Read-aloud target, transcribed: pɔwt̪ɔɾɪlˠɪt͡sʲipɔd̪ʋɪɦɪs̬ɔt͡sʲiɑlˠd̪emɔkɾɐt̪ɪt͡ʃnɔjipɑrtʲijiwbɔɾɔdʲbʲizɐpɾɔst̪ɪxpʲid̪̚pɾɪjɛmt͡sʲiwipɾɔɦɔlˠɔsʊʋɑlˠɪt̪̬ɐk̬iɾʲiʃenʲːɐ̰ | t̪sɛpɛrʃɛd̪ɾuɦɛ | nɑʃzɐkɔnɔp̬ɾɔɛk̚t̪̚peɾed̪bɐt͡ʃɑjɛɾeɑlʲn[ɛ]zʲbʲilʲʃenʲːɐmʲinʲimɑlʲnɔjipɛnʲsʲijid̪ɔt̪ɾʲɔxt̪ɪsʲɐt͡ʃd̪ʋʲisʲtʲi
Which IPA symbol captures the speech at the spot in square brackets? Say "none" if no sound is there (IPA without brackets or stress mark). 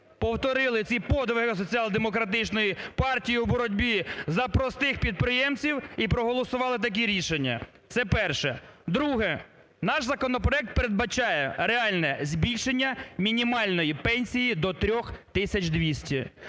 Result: ɛ